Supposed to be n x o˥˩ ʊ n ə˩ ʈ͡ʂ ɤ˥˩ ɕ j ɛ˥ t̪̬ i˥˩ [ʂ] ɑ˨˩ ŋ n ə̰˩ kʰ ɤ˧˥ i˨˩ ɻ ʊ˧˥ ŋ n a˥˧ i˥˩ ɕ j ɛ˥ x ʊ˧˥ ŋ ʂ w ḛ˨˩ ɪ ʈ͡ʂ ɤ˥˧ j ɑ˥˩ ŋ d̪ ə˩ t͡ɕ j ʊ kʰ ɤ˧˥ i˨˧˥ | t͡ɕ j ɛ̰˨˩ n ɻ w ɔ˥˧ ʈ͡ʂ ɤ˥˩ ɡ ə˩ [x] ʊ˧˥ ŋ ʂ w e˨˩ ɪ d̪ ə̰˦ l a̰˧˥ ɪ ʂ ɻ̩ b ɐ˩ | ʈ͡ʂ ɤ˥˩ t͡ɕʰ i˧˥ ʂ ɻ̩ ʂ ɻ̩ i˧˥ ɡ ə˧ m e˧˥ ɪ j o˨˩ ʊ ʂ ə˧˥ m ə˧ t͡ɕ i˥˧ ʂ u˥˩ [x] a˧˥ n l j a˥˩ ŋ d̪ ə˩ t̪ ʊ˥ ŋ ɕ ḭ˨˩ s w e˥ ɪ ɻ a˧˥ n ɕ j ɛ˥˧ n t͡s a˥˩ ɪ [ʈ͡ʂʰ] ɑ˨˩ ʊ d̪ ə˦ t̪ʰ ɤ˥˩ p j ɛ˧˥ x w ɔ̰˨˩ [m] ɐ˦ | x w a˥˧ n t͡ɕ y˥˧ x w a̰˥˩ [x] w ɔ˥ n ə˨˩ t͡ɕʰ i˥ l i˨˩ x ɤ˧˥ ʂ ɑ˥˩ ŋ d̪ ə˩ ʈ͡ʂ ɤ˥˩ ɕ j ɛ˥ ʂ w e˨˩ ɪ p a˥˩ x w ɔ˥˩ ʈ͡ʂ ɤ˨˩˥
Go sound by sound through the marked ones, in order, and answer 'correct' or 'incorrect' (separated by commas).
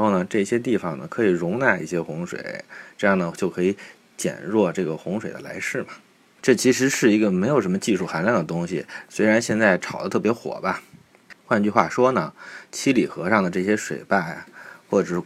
incorrect, correct, correct, correct, incorrect, incorrect